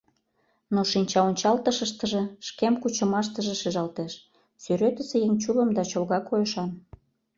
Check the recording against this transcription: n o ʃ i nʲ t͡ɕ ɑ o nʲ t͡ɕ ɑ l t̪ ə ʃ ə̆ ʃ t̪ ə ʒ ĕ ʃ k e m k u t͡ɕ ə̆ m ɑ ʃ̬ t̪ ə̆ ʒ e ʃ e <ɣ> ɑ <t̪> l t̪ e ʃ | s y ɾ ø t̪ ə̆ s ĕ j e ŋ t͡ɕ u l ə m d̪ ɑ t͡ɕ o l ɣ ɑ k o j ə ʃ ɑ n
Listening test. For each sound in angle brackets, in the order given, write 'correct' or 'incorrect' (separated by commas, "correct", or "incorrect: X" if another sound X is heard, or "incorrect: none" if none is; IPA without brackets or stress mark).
incorrect: ʒ, incorrect: none